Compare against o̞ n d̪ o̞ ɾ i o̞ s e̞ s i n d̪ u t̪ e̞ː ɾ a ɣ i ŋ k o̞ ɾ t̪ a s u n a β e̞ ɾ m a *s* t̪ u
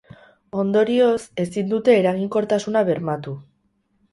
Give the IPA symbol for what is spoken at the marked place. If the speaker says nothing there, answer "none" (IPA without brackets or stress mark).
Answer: none